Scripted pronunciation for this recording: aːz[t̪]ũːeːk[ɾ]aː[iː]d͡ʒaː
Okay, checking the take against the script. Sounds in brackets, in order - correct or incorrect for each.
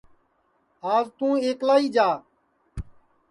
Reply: correct, incorrect, correct

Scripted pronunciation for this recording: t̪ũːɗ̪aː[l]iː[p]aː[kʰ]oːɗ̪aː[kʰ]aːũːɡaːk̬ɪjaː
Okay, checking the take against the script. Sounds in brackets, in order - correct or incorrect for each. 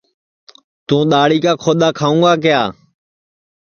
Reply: incorrect, incorrect, correct, correct

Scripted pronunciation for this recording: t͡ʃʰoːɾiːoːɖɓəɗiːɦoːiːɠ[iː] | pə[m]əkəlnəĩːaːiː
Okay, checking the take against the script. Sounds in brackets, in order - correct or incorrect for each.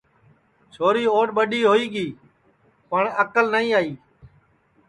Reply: correct, incorrect

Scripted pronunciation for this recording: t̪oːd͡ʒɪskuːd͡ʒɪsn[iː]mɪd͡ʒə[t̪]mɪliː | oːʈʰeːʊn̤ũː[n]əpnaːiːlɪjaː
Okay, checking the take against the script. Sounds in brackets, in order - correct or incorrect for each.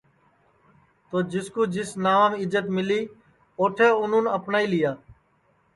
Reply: incorrect, correct, correct

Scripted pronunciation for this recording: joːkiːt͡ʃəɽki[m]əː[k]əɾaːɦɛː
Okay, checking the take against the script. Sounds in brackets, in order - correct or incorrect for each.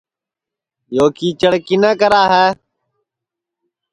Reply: incorrect, correct

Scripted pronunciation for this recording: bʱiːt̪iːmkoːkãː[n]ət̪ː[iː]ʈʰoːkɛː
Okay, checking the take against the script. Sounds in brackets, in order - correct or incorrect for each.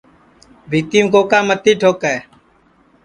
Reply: incorrect, correct

